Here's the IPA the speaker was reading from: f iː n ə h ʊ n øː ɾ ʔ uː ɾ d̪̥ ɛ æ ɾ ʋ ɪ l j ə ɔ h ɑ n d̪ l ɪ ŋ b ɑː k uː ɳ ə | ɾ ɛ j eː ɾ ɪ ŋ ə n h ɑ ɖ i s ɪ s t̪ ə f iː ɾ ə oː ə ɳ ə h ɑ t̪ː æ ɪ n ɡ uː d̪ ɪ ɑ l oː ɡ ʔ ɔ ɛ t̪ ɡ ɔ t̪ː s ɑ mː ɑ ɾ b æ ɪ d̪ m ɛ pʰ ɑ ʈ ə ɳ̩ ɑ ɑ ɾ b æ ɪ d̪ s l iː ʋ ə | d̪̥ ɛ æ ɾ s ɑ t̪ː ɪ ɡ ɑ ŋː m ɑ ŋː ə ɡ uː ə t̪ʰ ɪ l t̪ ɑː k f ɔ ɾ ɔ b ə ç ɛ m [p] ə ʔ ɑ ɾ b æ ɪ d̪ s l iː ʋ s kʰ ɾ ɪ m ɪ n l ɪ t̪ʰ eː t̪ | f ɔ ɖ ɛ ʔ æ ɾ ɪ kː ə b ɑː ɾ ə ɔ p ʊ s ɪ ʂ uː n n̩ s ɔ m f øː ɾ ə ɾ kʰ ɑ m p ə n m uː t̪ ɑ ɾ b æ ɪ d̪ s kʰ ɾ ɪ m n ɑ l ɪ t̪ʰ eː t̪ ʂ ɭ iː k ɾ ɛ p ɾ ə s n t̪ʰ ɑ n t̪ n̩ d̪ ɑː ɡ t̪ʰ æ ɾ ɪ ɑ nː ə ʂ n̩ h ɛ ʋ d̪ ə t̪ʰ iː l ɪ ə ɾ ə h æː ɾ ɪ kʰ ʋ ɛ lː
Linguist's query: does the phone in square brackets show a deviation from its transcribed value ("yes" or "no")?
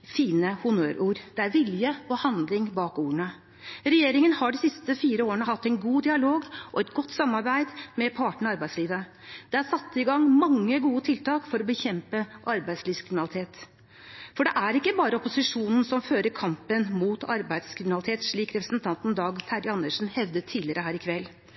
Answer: no